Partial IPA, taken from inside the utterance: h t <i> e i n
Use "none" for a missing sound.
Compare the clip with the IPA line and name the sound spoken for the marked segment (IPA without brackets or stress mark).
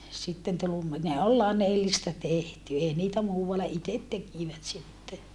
y